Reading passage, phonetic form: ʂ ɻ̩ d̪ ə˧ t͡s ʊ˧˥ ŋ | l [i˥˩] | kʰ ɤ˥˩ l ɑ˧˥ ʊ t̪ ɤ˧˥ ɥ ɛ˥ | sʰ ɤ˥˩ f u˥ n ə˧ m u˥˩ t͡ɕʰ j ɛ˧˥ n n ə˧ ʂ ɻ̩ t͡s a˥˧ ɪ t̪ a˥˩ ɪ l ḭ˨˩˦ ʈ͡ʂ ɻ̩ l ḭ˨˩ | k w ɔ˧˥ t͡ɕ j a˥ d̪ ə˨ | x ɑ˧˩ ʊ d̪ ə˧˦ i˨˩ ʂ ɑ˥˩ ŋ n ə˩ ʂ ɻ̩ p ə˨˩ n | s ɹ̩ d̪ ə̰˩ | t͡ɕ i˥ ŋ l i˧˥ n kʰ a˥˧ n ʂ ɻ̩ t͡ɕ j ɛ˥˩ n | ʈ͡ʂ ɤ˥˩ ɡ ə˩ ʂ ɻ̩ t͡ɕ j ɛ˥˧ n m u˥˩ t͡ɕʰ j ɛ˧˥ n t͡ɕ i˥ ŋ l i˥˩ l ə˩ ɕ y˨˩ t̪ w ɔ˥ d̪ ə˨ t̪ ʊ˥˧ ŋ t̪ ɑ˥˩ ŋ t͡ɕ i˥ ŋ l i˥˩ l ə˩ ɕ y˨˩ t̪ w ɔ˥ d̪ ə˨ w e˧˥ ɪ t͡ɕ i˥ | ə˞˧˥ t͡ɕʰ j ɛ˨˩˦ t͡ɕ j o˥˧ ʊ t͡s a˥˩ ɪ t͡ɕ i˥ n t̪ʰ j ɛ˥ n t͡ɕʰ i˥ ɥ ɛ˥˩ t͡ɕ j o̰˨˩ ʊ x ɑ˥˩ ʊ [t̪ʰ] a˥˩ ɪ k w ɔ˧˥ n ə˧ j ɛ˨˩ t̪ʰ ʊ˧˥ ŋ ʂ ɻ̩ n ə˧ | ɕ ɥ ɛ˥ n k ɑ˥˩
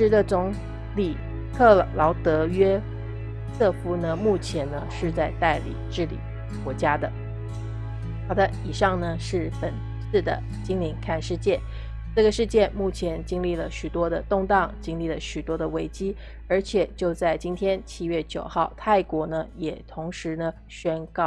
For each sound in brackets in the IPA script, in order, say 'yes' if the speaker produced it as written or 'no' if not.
no, yes

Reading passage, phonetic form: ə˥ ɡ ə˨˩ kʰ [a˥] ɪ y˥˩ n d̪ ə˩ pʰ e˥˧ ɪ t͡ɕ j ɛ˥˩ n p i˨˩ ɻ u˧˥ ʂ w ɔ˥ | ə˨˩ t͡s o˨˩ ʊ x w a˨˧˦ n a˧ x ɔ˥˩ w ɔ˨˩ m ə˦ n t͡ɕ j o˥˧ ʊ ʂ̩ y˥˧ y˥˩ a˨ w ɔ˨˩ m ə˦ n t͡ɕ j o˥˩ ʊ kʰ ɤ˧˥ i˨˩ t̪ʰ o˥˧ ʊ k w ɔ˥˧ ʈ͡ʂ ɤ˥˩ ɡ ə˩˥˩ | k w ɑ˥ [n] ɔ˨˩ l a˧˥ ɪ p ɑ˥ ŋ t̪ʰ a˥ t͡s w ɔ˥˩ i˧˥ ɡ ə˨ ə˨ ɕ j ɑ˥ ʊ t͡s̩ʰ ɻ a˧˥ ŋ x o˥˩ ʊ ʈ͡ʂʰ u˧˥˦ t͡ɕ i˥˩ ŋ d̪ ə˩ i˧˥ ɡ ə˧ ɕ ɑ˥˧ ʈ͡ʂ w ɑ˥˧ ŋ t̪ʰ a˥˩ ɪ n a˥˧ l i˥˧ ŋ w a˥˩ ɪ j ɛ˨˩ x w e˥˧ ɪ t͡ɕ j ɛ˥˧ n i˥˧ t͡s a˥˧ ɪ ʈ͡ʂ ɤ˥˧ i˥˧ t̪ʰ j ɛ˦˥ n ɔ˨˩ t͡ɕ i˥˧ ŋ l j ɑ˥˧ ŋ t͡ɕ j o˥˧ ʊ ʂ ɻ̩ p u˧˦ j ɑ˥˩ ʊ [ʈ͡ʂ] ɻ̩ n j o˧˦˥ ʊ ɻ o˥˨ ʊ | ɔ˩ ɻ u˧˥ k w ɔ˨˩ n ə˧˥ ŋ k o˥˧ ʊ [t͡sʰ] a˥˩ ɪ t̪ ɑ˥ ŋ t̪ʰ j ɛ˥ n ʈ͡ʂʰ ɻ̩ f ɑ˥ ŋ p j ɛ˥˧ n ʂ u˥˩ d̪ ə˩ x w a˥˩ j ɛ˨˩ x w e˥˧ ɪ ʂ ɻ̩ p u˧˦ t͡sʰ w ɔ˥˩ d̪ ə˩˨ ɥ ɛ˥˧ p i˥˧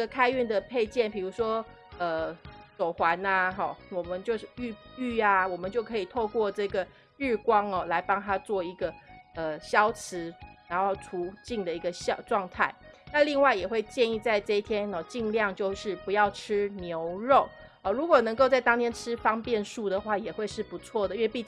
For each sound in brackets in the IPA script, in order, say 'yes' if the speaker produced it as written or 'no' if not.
yes, no, no, no

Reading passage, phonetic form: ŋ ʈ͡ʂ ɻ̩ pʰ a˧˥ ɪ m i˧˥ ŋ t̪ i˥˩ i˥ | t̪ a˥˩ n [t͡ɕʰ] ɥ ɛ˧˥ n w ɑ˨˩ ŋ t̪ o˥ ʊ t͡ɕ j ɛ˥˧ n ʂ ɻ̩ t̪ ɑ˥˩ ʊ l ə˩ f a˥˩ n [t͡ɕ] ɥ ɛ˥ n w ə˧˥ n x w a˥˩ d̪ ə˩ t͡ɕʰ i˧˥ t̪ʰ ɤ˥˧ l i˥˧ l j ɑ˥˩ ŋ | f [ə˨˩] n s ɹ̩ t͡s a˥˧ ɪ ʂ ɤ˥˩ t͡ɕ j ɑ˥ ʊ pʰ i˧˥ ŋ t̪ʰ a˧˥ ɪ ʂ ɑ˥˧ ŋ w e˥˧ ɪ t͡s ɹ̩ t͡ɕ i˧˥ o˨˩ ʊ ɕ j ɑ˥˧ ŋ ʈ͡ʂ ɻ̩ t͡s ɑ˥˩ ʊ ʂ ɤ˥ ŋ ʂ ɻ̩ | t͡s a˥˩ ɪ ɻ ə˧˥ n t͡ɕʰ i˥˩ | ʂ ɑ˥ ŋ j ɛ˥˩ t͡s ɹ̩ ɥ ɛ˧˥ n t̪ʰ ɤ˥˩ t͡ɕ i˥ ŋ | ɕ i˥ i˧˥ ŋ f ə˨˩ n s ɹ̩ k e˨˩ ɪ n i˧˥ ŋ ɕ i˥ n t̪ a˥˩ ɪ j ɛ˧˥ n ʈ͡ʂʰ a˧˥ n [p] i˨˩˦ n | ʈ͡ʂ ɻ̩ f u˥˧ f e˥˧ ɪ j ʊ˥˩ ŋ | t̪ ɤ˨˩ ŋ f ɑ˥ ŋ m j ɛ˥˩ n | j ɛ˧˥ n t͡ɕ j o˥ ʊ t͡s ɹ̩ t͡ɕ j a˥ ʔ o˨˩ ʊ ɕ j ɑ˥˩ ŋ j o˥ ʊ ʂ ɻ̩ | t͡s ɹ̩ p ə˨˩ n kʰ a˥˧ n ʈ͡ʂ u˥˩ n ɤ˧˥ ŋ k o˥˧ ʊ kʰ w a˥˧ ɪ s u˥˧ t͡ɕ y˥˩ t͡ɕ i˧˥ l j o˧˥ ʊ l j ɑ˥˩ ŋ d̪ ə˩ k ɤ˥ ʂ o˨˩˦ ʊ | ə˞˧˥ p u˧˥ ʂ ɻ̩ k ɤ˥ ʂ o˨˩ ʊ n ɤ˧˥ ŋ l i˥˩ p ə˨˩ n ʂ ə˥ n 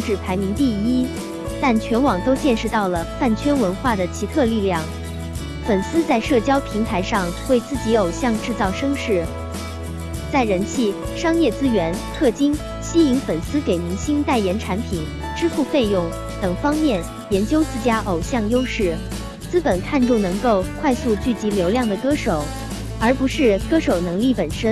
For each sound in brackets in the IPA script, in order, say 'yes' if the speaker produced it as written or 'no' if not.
yes, no, yes, no

